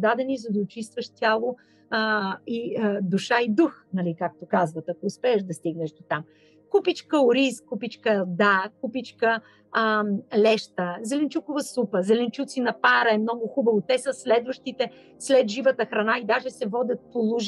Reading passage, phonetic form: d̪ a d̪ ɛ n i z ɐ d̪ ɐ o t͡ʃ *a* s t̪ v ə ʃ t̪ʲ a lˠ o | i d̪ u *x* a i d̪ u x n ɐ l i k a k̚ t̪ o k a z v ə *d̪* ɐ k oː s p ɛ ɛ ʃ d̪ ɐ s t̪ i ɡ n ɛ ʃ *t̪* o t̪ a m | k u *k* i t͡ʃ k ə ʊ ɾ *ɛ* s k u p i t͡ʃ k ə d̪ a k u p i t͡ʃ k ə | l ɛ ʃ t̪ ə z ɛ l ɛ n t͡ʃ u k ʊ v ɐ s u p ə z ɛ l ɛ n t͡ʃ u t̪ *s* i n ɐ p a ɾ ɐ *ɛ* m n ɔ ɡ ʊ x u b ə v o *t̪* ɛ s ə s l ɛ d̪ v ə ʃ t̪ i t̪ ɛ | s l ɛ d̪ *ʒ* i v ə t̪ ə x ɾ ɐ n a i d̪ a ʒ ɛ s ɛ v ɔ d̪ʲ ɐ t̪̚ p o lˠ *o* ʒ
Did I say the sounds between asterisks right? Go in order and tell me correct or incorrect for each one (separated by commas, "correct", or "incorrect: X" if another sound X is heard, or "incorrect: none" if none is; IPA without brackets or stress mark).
incorrect: i, incorrect: ʃ, incorrect: t̪, incorrect: d̪, incorrect: p, incorrect: i, correct, correct, correct, correct, incorrect: u